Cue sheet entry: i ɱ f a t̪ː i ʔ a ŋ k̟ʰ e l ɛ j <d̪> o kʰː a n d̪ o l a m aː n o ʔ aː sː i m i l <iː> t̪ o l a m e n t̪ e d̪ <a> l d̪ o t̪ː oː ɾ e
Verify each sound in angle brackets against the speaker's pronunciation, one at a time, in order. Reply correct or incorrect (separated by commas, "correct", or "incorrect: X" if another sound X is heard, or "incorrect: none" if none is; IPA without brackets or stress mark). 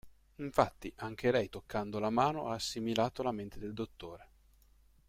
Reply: incorrect: t̪, incorrect: aː, incorrect: e